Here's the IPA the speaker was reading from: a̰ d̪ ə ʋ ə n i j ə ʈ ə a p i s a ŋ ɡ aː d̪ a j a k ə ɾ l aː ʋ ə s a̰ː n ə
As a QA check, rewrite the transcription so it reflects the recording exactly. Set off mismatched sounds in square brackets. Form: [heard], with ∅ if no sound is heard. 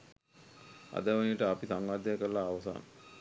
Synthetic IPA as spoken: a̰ d̪ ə ʋ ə n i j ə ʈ ə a p i s a ŋ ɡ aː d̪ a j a k ə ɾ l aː ʋ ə s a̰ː n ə